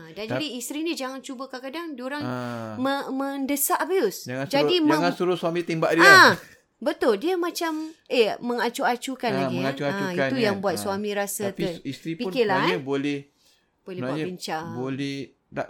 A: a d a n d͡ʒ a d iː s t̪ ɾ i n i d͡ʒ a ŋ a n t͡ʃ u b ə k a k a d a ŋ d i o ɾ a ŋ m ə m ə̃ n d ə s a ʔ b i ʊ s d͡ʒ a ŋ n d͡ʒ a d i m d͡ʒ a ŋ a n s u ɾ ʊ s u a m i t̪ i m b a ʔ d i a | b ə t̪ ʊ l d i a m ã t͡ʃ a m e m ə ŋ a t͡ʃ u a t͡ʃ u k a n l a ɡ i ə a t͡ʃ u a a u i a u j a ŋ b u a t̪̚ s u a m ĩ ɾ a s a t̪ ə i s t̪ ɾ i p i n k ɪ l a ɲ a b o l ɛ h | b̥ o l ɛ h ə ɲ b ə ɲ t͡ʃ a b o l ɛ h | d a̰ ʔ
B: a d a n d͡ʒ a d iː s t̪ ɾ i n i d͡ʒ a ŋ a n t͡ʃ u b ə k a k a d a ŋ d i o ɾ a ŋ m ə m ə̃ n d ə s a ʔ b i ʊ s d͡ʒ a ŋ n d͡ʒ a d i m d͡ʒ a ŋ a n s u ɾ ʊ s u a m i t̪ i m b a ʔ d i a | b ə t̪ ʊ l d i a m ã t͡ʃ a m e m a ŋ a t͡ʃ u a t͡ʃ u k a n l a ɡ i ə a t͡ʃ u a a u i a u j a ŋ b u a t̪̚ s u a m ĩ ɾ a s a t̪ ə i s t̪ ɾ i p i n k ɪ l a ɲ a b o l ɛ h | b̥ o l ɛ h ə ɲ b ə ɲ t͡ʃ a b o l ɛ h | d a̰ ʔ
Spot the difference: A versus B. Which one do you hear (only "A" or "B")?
A